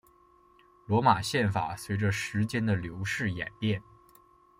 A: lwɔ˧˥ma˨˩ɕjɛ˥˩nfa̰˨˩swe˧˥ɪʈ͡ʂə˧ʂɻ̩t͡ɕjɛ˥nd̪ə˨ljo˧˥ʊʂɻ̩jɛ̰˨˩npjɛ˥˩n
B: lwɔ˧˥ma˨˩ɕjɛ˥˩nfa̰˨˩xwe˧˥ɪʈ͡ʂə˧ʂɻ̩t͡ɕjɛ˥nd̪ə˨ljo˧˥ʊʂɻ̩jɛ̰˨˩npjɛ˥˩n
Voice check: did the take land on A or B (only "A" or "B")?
A